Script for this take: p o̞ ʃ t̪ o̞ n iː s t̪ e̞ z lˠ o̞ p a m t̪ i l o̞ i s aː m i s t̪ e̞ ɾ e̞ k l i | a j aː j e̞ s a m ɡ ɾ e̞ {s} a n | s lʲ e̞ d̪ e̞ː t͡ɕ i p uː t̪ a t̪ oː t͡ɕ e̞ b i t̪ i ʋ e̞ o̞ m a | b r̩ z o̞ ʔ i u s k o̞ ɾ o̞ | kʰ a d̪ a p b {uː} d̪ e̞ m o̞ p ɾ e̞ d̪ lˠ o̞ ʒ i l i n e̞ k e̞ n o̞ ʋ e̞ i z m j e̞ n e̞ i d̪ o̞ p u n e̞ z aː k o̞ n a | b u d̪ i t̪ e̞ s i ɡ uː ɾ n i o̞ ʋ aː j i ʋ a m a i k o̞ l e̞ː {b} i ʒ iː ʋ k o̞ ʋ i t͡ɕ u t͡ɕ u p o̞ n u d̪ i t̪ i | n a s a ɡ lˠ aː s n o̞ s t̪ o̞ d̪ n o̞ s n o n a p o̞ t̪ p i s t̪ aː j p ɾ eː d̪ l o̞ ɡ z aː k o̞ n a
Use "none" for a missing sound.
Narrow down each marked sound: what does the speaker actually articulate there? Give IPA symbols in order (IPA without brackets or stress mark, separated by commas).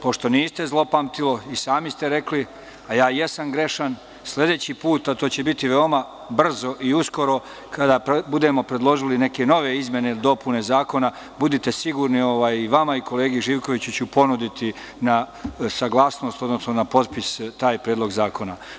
ʃ, u, ɡ